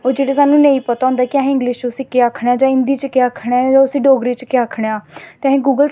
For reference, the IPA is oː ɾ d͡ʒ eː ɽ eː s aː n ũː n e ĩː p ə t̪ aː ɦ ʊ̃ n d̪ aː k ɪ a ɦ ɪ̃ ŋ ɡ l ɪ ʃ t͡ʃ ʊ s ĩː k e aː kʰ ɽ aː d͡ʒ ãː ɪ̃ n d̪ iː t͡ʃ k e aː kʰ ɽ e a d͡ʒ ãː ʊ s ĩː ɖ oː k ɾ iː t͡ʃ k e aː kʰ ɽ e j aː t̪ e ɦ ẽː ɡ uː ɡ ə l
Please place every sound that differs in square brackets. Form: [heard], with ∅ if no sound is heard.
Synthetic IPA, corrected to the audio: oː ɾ d͡ʒ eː ɽ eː s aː n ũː n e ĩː p ə t̪ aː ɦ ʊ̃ n d̪ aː k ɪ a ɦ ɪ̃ ŋ ɡ l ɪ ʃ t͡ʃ ʊ s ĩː k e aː kʰ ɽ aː d͡ʒ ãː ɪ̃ n d̪ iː t͡ʃ k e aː kʰ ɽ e a d͡ʒ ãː ʊ s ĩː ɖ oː [ɡ] ɾ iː t͡ʃ k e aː kʰ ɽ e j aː t̪ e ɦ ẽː ɡ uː ɡ ə l